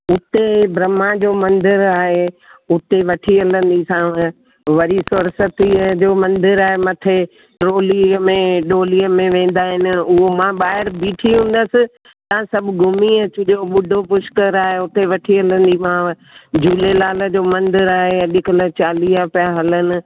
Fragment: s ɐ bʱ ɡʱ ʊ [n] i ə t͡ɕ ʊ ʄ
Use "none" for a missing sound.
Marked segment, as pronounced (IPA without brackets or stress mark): m